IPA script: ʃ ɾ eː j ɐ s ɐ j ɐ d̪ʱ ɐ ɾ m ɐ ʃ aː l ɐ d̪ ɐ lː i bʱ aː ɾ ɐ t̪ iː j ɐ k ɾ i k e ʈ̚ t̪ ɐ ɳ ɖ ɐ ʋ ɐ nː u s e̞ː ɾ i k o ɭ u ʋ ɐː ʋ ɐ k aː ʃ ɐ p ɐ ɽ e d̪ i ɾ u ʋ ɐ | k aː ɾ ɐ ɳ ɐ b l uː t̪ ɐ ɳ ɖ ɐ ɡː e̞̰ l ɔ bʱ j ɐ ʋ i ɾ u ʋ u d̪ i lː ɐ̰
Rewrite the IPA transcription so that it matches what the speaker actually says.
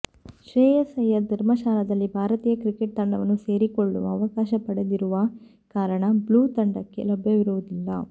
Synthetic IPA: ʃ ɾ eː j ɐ s ɐ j ɐ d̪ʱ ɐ ɾ m ɐ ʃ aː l ɐ d̪ ɐ lː i bʱ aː ɾ ɐ t̪ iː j ɐ k ɾ i k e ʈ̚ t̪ ɐ ɳ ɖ ɐ ʋ ɐ nː u s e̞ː ɾ i k o ɭː u ʋ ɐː ʋ ɐ k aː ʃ ɐ p ɐ ɽ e d̪ i ɾ u ʋ ɐ | k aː ɾ ɐ ɳ ɐ b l uː t̪ ɐ ɳ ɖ ɐ kː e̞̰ l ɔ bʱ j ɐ ʋ i ɾ u ʋ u d̪ i lː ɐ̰